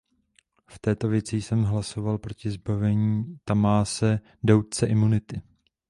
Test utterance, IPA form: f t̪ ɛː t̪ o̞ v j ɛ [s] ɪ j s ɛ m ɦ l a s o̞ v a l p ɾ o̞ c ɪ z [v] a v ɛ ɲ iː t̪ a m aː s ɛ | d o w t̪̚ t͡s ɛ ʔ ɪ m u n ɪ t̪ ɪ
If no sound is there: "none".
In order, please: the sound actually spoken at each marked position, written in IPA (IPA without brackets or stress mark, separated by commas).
t͡s, b